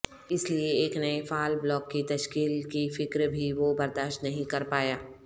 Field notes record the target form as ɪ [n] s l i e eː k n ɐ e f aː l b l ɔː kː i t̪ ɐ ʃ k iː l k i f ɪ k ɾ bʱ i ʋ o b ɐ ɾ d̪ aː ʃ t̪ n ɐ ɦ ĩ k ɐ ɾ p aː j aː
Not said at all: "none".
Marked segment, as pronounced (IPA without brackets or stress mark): none